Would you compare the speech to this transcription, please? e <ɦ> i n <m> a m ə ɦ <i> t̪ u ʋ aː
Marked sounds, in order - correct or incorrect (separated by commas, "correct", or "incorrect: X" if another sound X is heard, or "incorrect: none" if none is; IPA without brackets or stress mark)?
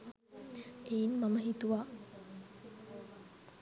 incorrect: none, correct, correct